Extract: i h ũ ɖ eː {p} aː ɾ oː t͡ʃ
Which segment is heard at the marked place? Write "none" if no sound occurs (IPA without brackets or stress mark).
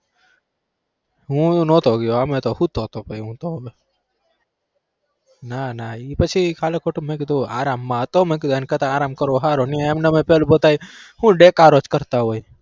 k